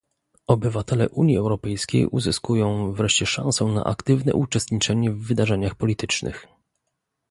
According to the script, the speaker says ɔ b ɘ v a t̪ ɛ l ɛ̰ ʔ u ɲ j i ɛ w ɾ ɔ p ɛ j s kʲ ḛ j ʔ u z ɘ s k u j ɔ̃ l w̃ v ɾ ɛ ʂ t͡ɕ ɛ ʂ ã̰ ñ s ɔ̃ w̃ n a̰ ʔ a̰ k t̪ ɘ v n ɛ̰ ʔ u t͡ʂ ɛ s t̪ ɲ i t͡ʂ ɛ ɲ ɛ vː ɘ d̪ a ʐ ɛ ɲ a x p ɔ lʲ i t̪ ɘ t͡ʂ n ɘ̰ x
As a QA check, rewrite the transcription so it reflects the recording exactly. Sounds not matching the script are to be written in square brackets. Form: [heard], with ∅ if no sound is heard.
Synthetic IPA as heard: ɔ b ɘ v a t̪ ɛ l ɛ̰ ʔ u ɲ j i ɛ w ɾ ɔ p ɛ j s kʲ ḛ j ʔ u z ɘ s k u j ɔ̃ [∅] w̃ v ɾ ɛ ʂ t͡ɕ ɛ ʂ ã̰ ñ s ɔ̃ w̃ n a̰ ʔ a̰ k t̪ ɘ v n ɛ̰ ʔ u t͡ʂ ɛ s t̪ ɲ i t͡ʂ ɛ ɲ ɛ vː ɘ d̪ a ʐ ɛ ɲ a x p ɔ lʲ i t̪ ɘ t͡ʂ n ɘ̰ x